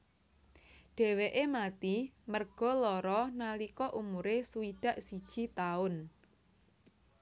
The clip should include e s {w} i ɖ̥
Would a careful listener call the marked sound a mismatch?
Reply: yes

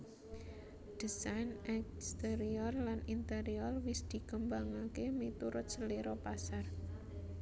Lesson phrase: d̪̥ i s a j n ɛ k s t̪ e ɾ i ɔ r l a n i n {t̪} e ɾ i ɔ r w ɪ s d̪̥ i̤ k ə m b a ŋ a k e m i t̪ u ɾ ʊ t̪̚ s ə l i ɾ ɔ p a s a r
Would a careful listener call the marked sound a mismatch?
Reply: no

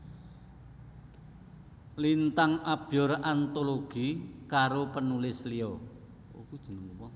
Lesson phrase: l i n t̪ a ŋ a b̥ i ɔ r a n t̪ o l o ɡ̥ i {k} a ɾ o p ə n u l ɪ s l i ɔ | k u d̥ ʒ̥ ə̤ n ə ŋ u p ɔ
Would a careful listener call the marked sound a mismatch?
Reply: no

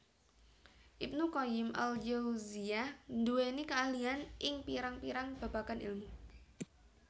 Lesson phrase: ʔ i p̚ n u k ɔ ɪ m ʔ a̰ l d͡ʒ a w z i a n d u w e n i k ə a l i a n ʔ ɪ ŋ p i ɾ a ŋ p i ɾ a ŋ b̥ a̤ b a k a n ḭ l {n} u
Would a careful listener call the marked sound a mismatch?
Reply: yes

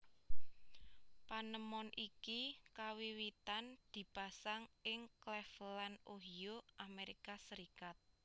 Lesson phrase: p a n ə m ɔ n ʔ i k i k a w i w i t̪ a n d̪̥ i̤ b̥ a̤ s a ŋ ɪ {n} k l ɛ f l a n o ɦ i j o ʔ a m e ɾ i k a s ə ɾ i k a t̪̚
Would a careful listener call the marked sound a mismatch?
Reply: yes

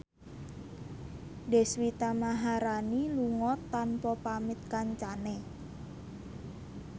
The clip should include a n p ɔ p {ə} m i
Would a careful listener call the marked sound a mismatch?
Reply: yes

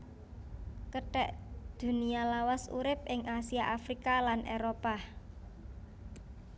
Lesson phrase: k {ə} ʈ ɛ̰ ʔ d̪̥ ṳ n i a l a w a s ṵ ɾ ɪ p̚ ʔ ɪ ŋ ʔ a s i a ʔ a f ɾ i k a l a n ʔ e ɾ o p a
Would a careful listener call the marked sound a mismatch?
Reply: no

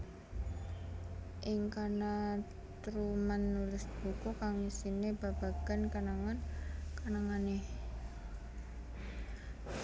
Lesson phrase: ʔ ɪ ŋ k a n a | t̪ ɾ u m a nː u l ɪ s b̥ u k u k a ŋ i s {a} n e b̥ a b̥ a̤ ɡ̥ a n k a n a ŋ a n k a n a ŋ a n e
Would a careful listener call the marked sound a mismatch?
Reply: yes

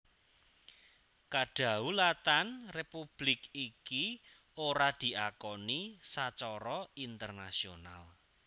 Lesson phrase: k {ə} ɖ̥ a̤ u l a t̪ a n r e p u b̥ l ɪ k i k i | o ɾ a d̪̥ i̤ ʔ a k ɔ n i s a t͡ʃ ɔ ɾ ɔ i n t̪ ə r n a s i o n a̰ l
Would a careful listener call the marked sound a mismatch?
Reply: yes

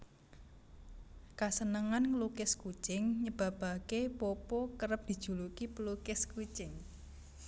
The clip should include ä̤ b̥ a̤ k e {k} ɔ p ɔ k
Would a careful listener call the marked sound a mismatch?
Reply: yes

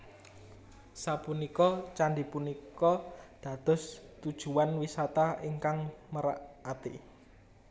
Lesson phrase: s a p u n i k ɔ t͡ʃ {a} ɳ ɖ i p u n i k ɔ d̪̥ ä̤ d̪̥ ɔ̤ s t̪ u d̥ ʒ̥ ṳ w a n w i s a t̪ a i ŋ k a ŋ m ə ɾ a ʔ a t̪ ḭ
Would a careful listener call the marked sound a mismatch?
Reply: no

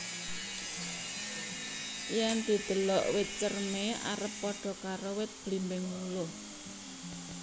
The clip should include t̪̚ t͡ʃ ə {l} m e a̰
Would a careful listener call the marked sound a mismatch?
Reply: yes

